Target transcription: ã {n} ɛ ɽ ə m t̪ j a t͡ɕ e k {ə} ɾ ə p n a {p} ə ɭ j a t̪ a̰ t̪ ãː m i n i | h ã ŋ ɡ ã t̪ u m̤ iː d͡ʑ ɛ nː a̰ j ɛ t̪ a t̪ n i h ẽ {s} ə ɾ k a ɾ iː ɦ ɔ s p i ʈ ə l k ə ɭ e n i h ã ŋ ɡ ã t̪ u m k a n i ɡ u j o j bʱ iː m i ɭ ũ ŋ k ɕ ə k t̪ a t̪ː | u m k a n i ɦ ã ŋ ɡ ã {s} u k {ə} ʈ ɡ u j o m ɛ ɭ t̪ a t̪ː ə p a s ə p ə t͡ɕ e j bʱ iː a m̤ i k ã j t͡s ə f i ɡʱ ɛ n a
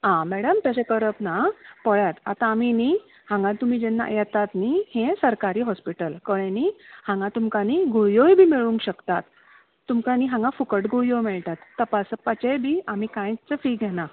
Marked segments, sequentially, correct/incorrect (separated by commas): incorrect, correct, correct, correct, incorrect, correct